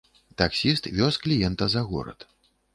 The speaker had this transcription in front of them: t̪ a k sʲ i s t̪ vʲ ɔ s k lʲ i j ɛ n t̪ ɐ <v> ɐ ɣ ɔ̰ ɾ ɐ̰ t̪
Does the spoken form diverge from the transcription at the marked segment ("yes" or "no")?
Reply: yes